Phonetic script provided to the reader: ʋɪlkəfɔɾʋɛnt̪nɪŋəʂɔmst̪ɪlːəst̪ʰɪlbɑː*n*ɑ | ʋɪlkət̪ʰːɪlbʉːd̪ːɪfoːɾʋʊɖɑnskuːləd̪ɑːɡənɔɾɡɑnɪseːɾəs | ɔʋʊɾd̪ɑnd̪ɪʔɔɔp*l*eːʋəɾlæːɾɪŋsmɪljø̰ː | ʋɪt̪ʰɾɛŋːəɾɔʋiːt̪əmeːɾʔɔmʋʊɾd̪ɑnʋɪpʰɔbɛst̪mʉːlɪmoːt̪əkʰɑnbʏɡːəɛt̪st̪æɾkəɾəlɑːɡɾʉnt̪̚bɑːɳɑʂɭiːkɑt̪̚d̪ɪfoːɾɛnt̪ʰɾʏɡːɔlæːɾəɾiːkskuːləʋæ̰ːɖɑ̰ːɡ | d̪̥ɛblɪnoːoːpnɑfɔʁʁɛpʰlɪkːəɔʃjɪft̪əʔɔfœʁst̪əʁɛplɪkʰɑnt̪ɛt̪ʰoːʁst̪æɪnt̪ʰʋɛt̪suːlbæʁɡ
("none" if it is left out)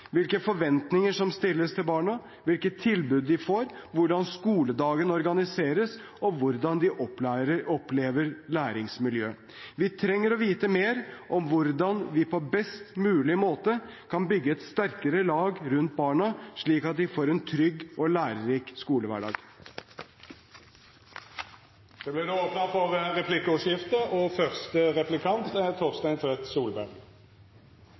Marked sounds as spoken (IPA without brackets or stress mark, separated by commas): ɳ, l